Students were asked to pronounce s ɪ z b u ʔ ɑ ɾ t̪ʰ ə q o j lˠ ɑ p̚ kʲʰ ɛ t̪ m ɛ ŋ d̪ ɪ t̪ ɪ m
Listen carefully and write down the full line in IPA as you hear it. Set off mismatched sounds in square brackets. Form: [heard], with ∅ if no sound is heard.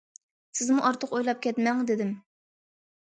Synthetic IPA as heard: s ɪ z [m] u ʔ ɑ ɾ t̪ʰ ə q o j lˠ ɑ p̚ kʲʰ ɛ t̪ m ɛ ŋ d̪ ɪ [d̪] ɪ m